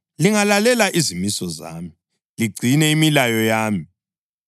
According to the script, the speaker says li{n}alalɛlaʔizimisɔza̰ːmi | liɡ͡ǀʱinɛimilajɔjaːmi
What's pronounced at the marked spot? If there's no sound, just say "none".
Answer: ŋ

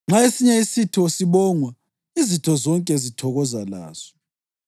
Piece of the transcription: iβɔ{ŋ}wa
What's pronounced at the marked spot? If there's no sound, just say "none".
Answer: ŋ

